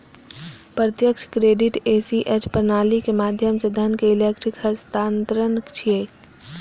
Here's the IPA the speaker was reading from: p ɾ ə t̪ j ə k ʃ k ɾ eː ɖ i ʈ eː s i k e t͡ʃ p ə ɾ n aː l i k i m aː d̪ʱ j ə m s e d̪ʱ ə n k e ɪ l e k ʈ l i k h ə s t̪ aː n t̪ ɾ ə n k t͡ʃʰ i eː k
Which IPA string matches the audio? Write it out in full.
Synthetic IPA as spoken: p ɾ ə t̪ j ə k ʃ k ɾ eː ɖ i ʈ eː s i ʔ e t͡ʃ p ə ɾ n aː l i k e m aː d̪ʱ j ə m s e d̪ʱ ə n k e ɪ l e k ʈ ɾ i k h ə s t̪ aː n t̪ ɾ ə n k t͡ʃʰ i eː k

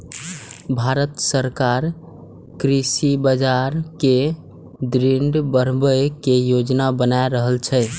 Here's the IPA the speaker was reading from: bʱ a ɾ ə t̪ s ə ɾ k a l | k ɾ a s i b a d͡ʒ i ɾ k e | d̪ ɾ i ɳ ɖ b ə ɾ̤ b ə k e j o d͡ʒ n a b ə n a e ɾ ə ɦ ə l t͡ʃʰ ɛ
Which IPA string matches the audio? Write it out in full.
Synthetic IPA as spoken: bʱ a ɾ ə t̪ s ə ɾ k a ɾ | k ɾ i s i b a d͡ʒ a ɾ k e | d̪ ɾ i ɳ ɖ b ə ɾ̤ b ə k e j o d͡ʒ n a b ə n a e ɾ ə ɦ ə l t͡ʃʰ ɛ

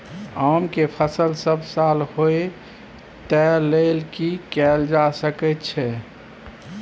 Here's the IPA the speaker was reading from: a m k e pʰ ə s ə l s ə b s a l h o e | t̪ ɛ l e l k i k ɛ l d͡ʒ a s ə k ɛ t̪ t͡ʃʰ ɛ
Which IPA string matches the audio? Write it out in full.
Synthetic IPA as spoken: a m k e pʰ ə s ə l s ə b s a l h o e | t̪ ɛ l e l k i k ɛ l d͡ʒ a s ə k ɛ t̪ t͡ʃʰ ɛ

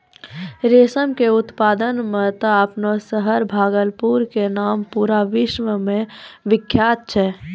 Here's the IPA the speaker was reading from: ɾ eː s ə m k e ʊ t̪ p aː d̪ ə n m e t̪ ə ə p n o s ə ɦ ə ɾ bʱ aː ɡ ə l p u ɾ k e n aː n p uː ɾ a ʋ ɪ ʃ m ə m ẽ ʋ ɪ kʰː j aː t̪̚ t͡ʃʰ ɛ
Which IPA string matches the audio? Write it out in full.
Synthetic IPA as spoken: ɾ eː s ə m k e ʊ t̪ p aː d̪ ə n m e t̪ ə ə p n o s ə ɦ ə ɾ bʱ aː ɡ ə l p u ɾ k e n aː m p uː ɾ a ʋ ɪ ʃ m ə m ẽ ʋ ɪ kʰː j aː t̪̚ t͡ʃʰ ɛ

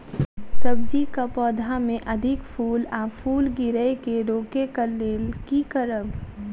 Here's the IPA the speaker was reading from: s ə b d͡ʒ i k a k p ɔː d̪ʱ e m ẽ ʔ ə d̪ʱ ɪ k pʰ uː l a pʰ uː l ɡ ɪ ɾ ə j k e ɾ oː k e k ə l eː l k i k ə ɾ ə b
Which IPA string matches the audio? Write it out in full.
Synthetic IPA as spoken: s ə b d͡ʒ i k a p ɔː d̪ʱ a m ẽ ʔ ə d̪ʱ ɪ k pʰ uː l a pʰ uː l ɡ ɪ ɾ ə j k e ɾ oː k e k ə l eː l k i k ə ɾ ə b

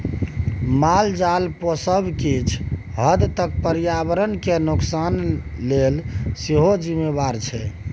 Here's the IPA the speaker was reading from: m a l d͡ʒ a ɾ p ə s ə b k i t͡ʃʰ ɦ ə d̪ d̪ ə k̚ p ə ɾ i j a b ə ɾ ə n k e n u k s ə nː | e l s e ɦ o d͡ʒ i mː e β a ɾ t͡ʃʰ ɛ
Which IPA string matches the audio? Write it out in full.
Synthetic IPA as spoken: m a l d͡ʒ a l p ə s ə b k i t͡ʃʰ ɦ ə d̪ t̪ ə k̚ p ə ɾ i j a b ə ɾ ə n k e n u k s a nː | e l s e ɦ o d͡ʒ i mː e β a ɾ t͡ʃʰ ɛ

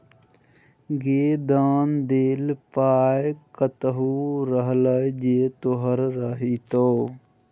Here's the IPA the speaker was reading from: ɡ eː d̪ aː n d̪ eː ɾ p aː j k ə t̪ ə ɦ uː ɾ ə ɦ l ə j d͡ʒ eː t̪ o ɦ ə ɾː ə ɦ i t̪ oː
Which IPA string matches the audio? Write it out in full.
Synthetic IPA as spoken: ɡ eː d̪ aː n d̪ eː l p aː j k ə t̪ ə ɦ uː ɾ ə ɦ l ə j d͡ʒ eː t̪ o ɦ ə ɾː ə ɦ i t̪ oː

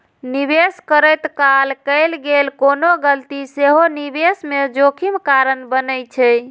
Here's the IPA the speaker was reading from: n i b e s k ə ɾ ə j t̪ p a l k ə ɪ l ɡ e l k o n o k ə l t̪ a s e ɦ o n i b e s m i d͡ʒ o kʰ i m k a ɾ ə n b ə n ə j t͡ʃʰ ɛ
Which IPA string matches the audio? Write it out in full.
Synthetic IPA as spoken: n i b e s k ə ɾ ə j t̪ k a l k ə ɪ l ɡ e l k o n o ɡ ə l t̪ i s e ɦ o n i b e s m e d͡ʒ o kʰ i m k a ɾ ə n b ə n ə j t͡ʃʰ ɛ

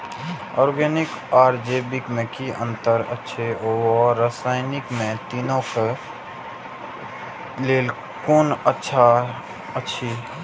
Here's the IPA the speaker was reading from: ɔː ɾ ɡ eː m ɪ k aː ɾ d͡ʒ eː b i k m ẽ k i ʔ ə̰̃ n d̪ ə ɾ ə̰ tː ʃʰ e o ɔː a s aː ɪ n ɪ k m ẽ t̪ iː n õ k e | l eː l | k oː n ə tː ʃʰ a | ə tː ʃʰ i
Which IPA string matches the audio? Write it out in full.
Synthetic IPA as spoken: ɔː ɾ ɡ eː n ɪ k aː ɾ d͡ʒ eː b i k m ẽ k i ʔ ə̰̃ n t̪ ə ɾ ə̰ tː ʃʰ e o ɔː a s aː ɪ n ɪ k m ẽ t̪ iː n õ k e | l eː l | k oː n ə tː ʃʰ a | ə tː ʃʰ i

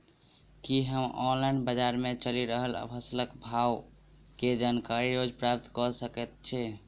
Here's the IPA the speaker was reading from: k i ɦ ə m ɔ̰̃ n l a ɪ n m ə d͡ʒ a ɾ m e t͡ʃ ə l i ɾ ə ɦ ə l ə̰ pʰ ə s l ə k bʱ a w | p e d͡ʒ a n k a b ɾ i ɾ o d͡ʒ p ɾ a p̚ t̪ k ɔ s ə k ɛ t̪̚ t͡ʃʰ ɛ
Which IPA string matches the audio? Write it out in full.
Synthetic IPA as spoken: k i ɦ ə m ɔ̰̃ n l a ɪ n b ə d͡ʒ a ɾ m e t͡ʃ ə l i ɾ ə ɦ ə l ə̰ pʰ ə s l ə k bʱ a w | k e d͡ʒ a n k a ɾ i ɾ o d͡ʒ p ɾ a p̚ t̪ k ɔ s ə k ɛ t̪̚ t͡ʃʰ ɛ

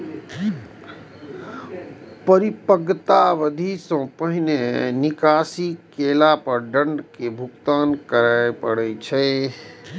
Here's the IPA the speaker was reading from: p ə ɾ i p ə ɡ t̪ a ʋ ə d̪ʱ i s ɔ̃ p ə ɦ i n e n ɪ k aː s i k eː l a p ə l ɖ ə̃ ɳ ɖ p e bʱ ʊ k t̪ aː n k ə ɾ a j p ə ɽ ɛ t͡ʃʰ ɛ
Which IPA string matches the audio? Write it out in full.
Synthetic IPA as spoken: p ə ɾ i p ə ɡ t̪ a ʋ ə d̪ʱ i s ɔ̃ p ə ɦ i n e n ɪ k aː s i k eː l a p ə ɾ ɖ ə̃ ɳ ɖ k e bʱ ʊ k t̪ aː n k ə ɾ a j p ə ɽ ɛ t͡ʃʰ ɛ

